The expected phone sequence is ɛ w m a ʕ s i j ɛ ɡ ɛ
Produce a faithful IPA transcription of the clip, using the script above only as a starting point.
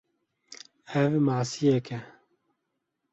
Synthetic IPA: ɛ v m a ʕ s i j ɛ k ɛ

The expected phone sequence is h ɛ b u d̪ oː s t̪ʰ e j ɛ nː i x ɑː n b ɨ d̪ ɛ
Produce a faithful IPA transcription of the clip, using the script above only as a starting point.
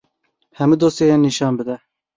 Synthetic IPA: h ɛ m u d̪ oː s t̪ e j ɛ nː i ʃ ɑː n b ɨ d̪ ɛ

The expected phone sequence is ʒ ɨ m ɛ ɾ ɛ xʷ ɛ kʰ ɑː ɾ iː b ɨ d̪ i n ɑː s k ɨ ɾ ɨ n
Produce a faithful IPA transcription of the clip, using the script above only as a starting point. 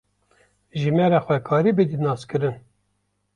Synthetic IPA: ʒ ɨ m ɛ ɾ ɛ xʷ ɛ kʰ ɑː ɾ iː b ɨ d̪ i n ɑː s k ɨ ɾ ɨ n

